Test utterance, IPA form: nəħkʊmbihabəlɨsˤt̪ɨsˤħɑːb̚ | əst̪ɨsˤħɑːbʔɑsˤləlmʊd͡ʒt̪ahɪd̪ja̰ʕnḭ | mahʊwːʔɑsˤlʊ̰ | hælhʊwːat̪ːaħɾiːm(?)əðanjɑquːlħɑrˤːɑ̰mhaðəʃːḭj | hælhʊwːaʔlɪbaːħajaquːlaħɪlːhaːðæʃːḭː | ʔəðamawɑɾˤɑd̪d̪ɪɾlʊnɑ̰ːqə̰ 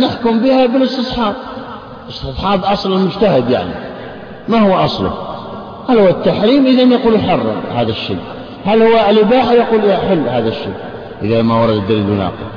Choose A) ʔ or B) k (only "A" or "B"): A